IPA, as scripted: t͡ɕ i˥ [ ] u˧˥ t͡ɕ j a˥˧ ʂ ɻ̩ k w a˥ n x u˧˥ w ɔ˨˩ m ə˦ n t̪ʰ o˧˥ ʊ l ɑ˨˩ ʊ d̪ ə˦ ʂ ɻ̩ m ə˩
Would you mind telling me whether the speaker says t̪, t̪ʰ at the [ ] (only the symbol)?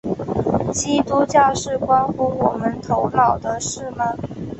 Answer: t̪